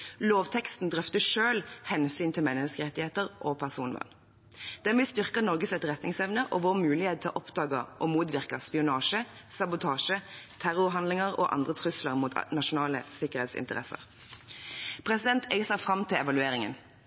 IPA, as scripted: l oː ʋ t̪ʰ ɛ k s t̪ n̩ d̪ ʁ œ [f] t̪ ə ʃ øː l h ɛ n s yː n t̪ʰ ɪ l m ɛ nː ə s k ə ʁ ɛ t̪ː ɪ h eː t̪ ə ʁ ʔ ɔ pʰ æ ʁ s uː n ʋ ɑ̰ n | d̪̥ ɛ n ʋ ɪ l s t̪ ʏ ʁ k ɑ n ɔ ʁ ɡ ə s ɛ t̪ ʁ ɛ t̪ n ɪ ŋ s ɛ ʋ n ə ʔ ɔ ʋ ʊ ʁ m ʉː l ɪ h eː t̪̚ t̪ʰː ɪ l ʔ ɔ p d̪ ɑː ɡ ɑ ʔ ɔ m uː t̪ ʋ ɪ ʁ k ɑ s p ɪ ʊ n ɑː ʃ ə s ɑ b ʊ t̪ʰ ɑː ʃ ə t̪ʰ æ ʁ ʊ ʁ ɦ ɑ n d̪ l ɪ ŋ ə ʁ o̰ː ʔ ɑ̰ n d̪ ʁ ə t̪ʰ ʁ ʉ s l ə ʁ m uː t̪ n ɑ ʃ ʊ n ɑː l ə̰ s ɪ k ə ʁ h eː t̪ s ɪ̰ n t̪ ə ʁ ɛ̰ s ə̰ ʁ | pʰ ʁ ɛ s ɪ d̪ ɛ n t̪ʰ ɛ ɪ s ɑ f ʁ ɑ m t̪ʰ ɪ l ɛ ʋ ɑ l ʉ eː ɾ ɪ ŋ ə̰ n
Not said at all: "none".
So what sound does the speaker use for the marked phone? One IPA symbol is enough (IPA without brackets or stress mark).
f